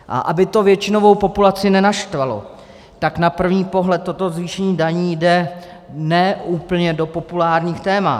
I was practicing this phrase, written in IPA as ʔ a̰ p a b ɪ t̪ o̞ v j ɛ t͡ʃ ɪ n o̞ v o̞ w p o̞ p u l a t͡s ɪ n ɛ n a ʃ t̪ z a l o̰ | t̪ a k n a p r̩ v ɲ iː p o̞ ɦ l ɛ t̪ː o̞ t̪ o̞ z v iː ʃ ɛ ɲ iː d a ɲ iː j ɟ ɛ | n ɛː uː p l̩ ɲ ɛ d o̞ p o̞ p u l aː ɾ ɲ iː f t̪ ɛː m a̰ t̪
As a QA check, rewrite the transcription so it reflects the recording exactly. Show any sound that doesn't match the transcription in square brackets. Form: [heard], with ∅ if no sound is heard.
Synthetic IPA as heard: ʔ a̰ [ʔ] a b ɪ t̪ o̞ v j ɛ t͡ʃ ɪ n o̞ v o̞ w p o̞ p u l a t͡s ɪ n ɛ n a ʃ t̪ [v] a l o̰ | t̪ a k n a p r̩ v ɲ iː p o̞ ɦ l ɛ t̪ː o̞ t̪ o̞ z v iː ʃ ɛ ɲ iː d a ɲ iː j [d] ɛ | n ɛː uː p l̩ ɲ ɛ d o̞ p o̞ p u l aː ɾ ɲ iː [x] t̪ ɛː m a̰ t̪